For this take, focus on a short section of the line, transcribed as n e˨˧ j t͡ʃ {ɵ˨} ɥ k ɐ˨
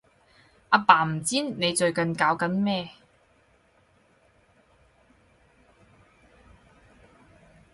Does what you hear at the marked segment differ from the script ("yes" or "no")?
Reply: no